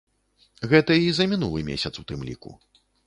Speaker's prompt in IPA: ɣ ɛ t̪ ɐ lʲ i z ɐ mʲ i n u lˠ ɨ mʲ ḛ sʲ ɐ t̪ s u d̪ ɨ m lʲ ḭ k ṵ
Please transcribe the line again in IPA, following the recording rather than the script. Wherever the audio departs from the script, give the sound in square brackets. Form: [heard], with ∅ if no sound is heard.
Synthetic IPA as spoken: ɣ ɛ t̪ ɐ [∅] i z ɐ mʲ i n u lˠ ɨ mʲ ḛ sʲ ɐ t̪ s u [t̪] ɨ m lʲ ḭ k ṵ